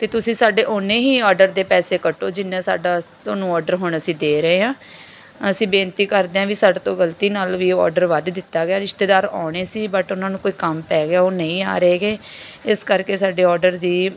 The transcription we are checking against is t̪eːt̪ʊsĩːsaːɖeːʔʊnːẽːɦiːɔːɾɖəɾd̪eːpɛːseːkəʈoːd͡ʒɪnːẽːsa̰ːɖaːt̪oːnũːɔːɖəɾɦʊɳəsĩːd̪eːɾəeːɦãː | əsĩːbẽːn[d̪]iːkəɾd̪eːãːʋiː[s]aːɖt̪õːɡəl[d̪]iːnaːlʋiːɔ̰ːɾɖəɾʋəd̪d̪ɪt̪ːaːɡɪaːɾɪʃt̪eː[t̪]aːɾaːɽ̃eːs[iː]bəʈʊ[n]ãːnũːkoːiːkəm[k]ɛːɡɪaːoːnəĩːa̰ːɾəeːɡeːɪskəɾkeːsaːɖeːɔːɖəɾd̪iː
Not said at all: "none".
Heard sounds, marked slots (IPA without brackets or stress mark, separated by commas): t̪, s, t̪, d̪, iː, n, p